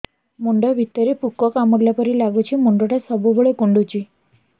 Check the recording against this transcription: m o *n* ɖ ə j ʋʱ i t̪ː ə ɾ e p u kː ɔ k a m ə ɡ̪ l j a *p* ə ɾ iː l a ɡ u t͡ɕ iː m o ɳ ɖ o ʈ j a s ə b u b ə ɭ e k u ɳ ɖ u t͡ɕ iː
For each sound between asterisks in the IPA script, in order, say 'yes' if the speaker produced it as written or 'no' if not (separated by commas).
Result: no, yes